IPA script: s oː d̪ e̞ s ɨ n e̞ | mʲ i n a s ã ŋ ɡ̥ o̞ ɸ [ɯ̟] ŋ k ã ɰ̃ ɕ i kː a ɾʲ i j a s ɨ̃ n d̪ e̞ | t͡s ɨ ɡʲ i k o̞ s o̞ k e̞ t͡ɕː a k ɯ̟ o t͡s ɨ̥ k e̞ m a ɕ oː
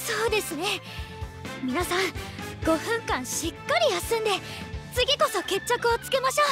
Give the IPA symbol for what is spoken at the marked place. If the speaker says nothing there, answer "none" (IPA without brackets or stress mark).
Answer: ɯ̟̃